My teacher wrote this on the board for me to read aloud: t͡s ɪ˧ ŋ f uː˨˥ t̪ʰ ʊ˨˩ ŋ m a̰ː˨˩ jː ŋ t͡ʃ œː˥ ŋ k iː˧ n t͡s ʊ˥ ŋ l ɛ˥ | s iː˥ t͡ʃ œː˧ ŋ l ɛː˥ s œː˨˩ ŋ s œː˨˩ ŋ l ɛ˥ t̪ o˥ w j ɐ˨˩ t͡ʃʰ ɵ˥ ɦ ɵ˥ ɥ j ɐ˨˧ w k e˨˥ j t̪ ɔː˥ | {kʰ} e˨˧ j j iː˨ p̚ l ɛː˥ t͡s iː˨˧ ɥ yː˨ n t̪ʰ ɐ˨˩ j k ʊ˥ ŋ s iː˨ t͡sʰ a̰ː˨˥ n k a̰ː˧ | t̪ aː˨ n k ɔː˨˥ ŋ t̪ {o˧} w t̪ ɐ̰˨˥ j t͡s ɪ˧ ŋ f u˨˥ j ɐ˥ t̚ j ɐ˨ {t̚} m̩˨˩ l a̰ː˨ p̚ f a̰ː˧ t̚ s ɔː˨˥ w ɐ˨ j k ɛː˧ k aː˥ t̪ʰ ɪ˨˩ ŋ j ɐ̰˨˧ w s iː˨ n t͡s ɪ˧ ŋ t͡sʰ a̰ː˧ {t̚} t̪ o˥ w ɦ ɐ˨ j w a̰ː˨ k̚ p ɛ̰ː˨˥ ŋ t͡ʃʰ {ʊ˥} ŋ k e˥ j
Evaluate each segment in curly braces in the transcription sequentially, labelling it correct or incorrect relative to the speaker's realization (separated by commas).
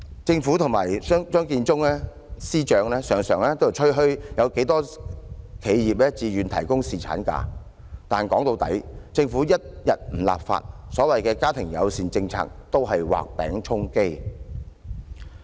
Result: correct, correct, correct, incorrect, correct